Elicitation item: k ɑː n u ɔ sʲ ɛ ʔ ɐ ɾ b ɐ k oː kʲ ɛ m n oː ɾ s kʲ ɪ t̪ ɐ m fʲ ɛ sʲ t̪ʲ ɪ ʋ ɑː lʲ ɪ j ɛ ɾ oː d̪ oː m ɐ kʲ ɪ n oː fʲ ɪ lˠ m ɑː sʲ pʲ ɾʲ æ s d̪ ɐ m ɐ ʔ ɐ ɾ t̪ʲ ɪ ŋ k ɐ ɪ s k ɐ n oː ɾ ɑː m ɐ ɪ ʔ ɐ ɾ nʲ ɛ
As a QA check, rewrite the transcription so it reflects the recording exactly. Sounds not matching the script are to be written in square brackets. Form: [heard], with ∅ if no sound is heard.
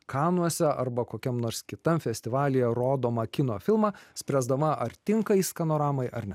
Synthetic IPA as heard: k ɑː n u ɔ sʲ ɛ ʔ ɐ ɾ b ɐ k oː kʲ ɛ m n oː ɾ s kʲ ɪ t̪ ɐ m fʲ ɛ sʲ t̪ʲ ɪ ʋ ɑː lʲ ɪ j ɛ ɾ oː d̪ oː m ɐ kʲ ɪ n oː fʲ ɪ lˠ m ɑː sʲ pʲ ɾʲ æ [z] d̪ ɐ m ɐ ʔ ɐ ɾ t̪ʲ ɪ ŋ k ɐ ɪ s k ɐ n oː ɾ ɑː m ɐ ɪ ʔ ɐ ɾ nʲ ɛ